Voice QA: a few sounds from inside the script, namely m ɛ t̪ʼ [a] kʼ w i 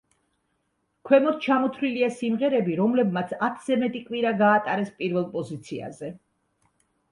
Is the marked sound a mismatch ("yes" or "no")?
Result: yes